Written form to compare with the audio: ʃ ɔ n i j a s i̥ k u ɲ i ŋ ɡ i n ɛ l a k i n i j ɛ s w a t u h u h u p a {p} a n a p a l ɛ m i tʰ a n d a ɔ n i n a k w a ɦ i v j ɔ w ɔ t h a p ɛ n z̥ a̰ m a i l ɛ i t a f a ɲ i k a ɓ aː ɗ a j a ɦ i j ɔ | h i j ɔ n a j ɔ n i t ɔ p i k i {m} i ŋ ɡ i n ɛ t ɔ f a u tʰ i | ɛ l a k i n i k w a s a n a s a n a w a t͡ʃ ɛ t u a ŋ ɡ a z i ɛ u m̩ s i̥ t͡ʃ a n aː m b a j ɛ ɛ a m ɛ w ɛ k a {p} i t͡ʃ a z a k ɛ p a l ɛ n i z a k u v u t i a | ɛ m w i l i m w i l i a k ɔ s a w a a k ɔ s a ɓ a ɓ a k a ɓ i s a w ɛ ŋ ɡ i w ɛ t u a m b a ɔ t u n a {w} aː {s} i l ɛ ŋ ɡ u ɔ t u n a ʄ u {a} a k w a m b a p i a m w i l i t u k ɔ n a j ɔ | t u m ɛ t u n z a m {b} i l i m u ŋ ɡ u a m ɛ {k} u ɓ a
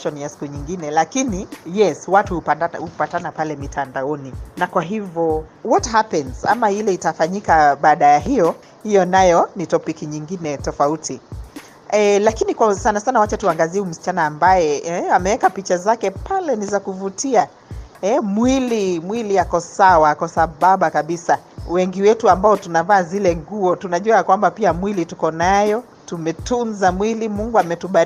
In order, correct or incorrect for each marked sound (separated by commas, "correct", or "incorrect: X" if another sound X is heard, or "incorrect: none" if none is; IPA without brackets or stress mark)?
incorrect: t, incorrect: ɲ, correct, incorrect: v, incorrect: z, correct, incorrect: w, incorrect: t